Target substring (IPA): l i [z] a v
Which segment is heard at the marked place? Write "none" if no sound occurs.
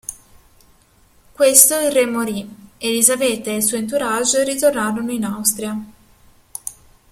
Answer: z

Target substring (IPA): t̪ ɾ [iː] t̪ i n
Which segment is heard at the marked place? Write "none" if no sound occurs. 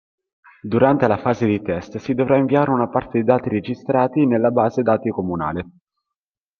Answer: aː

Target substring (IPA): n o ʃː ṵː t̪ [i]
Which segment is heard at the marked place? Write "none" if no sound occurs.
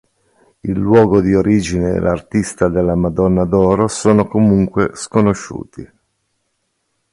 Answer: i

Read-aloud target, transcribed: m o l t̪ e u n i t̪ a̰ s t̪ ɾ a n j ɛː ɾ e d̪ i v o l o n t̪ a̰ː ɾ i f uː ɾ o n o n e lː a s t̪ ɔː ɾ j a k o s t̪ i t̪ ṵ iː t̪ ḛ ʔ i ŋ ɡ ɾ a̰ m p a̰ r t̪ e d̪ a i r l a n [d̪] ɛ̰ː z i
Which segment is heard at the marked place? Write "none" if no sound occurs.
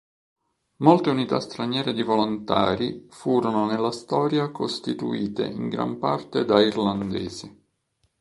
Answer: d̪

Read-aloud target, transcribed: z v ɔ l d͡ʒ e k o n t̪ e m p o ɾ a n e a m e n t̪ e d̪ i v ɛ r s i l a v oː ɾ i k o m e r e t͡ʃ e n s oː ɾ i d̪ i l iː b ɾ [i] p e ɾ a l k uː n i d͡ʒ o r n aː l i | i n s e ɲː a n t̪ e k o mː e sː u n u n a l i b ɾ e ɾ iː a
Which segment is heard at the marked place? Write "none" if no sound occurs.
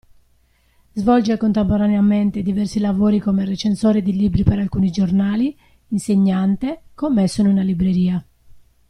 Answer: i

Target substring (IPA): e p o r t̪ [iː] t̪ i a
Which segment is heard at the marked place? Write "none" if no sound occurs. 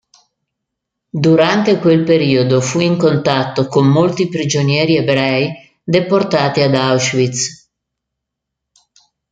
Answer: aː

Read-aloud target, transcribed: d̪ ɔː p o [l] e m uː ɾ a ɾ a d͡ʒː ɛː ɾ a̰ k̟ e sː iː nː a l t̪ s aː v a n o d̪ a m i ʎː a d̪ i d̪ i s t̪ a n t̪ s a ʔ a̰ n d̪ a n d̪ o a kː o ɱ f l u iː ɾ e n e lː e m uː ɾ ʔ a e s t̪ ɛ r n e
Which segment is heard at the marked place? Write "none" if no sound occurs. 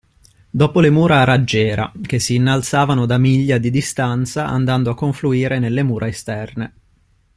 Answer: l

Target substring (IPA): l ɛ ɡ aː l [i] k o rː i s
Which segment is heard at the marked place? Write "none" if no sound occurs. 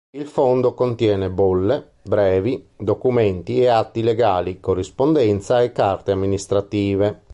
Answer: i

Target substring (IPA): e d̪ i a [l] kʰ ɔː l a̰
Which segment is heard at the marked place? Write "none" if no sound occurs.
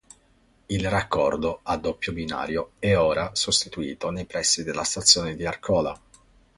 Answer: r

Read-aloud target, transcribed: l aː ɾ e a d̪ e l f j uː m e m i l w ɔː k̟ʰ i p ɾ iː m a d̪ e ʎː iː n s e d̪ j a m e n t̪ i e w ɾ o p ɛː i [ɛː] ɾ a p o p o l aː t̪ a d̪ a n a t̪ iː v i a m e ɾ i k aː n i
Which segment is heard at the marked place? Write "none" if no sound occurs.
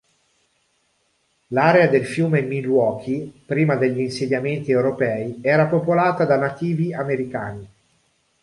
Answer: ɛː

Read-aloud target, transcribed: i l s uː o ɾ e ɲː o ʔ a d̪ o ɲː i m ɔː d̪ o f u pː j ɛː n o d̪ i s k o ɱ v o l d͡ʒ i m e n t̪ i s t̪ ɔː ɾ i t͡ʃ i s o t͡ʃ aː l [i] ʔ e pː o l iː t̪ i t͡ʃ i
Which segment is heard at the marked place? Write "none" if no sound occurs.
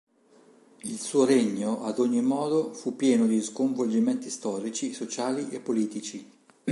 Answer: i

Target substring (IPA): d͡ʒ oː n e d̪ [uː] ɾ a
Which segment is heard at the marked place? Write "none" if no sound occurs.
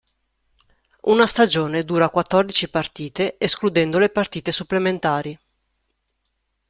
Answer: uː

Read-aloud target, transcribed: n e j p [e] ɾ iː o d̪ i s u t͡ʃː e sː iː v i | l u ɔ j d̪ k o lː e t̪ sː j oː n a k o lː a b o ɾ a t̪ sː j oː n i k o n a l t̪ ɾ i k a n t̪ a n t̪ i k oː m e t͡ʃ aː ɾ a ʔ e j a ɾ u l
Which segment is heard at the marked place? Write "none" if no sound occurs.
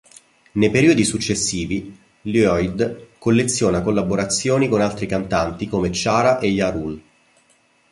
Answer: e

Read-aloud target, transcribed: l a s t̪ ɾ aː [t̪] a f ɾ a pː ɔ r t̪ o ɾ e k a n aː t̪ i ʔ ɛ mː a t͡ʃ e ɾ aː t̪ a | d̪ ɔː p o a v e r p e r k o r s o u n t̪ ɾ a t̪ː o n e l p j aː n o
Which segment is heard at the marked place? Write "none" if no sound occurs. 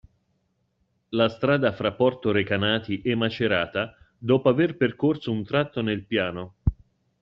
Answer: d̪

